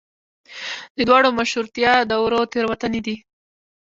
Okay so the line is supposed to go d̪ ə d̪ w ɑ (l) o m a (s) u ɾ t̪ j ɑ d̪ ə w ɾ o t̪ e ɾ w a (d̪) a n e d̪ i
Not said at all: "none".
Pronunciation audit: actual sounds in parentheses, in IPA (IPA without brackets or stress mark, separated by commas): ɽ, ʃ, t̪